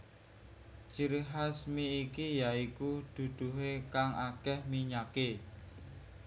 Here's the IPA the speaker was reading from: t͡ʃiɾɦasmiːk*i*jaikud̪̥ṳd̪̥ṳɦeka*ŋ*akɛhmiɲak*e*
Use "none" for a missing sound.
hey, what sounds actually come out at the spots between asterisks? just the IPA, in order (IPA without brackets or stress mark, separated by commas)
i, ŋ, e